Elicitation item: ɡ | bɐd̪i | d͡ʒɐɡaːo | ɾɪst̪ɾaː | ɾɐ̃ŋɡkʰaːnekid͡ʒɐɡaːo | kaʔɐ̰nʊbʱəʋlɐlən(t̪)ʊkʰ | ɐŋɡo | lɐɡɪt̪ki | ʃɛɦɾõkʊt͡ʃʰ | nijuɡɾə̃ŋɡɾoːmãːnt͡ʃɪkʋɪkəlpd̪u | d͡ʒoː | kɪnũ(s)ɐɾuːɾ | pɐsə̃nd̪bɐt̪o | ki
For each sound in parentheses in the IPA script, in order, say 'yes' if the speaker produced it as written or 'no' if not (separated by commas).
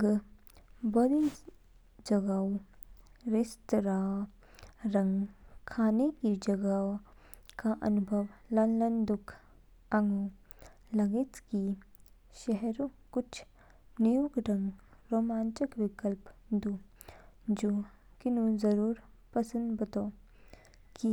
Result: no, no